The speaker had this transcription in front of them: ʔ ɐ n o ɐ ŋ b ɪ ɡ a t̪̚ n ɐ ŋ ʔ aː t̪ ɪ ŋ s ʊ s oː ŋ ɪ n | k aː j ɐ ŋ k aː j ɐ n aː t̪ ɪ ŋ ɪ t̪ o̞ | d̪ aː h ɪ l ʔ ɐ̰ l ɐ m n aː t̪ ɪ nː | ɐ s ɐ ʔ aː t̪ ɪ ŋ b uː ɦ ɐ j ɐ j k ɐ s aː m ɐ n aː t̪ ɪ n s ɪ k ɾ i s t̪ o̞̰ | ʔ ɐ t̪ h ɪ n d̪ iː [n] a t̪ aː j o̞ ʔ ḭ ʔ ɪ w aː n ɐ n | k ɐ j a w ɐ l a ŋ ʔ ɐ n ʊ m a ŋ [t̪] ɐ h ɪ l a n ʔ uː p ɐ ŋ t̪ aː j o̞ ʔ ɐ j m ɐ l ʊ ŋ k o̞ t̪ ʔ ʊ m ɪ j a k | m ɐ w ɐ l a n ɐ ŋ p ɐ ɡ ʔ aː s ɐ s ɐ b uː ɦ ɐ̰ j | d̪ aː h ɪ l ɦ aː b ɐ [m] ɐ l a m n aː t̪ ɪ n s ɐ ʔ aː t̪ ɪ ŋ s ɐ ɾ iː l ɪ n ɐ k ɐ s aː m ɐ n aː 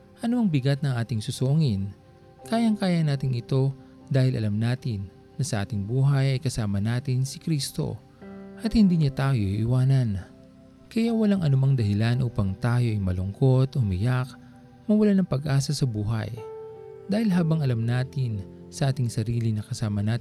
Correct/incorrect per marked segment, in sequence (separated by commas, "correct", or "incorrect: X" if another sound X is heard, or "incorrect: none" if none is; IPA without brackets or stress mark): incorrect: ɲ, incorrect: d̪, incorrect: ŋ